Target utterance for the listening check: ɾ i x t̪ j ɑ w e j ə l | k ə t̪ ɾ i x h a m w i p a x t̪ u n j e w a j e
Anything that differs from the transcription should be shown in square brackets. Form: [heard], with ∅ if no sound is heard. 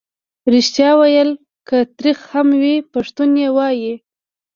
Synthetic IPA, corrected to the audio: ɾ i [ʃ] t̪ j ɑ w [a] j ə l | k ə t̪ ɾ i x h a m w i p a [ʂ] t̪ u n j e w [ɑ] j [i]